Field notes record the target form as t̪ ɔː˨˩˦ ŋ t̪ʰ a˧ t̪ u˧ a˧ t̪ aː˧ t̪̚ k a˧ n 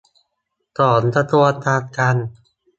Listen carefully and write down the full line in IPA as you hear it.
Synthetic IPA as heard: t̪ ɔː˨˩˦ n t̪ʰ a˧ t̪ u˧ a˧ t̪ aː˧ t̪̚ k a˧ n